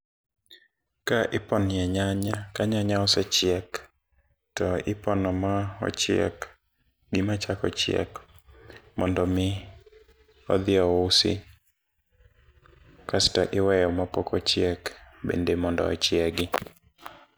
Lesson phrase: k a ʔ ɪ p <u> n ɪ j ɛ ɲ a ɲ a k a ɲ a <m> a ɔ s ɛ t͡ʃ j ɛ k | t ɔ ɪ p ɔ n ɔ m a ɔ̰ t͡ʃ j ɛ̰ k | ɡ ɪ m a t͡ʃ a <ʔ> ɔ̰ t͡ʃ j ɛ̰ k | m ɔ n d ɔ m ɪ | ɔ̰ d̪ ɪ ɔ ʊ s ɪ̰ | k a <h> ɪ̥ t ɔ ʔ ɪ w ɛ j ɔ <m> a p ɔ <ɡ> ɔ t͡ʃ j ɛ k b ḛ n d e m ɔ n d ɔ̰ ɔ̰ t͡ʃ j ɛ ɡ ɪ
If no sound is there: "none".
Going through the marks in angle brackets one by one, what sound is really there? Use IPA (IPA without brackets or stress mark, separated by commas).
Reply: ɔ, ɲ, k, s, m, k